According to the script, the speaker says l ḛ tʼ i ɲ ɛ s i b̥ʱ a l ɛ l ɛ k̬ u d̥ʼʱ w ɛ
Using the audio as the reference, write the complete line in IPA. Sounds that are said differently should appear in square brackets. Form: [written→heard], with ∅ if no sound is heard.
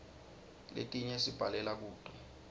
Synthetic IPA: l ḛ tʼ i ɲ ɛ s i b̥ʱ a l ɛ l [ɛ→a] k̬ [u→uː] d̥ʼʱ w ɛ